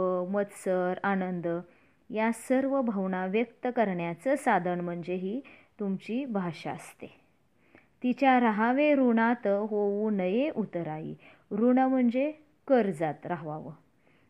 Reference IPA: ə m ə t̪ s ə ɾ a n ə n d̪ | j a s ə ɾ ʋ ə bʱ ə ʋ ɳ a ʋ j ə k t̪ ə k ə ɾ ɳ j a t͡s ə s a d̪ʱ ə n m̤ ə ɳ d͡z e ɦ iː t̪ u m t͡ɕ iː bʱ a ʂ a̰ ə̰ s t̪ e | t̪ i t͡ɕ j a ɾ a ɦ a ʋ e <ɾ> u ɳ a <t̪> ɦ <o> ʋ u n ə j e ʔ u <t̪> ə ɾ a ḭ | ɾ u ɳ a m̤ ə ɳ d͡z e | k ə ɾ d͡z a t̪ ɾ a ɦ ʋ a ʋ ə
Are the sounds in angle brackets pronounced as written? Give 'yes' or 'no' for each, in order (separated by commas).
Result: yes, yes, yes, yes